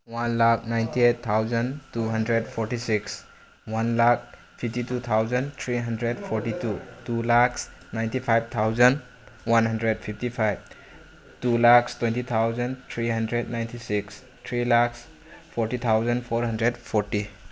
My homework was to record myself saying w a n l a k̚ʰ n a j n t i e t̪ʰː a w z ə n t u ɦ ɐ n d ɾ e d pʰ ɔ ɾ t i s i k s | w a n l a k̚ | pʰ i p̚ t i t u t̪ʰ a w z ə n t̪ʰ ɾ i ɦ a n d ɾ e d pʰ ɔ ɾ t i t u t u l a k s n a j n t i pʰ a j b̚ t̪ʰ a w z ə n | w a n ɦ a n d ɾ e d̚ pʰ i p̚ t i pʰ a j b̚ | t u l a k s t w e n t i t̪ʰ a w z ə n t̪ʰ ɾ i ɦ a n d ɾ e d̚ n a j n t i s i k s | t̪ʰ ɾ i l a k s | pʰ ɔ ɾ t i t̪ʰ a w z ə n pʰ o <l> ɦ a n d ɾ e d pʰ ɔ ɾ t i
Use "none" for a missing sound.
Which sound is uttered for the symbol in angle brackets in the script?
ɾ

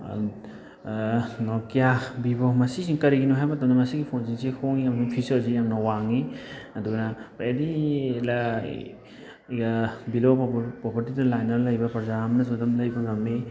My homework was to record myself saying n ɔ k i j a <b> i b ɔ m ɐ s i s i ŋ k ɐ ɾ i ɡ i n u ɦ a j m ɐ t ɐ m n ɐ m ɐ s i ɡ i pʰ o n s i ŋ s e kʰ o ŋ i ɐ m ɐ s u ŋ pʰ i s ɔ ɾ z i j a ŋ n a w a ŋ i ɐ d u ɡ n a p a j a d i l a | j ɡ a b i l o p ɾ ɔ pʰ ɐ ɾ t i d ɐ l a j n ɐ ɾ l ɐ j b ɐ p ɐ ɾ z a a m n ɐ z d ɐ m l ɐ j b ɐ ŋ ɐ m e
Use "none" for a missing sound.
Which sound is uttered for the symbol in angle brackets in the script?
b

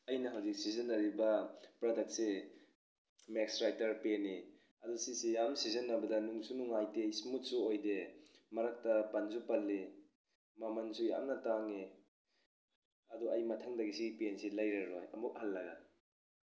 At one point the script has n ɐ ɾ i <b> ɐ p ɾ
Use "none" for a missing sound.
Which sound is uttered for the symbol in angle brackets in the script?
b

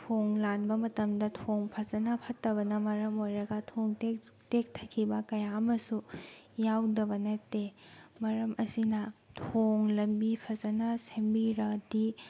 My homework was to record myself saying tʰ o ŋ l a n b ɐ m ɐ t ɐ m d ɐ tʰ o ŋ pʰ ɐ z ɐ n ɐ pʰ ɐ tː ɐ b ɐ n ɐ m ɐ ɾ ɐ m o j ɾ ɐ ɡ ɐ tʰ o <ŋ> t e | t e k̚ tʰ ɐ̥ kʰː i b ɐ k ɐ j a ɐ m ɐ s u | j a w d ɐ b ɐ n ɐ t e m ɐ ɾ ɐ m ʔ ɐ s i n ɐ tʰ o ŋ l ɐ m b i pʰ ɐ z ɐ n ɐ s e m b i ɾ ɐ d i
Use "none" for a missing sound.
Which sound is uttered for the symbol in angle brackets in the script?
ŋ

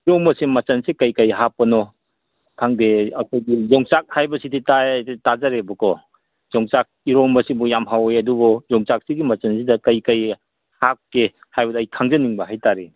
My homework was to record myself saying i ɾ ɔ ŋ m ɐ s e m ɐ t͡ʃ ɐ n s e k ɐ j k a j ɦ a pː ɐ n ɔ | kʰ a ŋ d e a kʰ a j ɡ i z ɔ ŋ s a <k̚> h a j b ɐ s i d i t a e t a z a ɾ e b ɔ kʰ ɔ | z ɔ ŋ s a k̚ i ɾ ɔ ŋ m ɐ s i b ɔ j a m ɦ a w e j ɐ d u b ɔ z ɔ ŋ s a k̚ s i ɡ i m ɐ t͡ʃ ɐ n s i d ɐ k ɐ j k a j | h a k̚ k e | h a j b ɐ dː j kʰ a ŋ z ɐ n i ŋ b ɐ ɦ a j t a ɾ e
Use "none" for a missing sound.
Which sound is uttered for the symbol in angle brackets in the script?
k̚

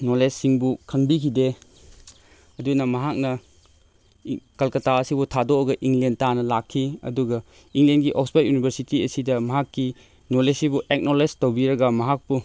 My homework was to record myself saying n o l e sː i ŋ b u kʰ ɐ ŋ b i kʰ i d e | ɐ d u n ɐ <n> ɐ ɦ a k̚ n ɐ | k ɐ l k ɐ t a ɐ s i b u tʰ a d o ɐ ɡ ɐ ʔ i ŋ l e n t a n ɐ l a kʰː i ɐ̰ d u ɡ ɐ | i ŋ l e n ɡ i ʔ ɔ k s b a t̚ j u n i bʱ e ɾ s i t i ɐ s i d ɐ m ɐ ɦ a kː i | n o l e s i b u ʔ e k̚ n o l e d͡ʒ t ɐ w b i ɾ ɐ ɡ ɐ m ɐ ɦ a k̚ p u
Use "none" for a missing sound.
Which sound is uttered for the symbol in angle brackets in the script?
m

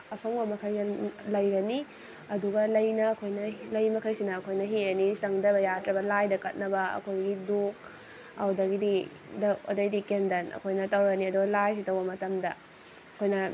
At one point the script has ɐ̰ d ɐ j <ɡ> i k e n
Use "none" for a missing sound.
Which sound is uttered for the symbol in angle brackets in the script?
d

